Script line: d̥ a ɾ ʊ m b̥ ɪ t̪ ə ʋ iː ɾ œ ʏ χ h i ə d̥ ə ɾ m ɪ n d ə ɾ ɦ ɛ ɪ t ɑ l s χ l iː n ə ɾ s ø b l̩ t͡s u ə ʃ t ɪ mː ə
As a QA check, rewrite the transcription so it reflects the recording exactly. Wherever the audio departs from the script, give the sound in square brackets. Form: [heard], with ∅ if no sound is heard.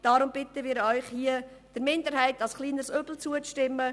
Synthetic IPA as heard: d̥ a ɾ ʊ m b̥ ɪ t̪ ə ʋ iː ɾ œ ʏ χ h i ə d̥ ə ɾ m ɪ n d ə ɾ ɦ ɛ ɪ t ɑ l s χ l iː n ə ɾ s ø b l̩ t͡s u ə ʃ t ɪ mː ə